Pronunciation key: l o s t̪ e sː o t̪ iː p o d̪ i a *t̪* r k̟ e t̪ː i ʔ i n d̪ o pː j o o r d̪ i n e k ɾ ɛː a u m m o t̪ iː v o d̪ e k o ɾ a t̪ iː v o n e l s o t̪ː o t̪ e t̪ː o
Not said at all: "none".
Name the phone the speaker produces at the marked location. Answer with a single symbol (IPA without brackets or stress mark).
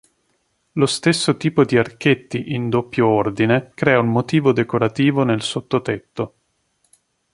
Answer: none